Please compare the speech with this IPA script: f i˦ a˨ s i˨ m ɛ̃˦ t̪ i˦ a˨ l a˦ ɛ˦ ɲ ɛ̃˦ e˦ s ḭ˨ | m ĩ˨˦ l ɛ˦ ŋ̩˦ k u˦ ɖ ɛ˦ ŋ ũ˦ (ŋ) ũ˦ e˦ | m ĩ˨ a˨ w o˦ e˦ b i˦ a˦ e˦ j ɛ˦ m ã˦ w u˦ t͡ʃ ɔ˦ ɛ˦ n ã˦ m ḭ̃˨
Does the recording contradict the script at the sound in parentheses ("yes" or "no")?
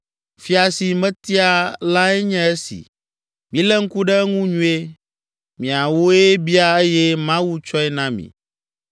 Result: yes